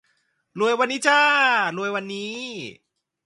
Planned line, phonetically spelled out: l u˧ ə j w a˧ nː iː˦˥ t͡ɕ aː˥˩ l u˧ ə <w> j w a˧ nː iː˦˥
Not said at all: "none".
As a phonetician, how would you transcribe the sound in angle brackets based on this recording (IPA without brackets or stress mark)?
none